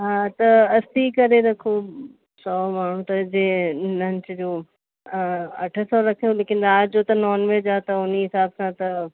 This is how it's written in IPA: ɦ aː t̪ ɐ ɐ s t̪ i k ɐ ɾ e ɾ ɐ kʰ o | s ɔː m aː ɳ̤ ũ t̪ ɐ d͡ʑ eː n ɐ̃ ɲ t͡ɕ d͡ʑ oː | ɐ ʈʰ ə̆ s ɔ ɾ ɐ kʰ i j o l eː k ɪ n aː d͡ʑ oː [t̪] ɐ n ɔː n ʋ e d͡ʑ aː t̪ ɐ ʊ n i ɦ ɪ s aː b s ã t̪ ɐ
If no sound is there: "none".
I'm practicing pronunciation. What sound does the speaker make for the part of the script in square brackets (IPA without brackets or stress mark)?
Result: t̪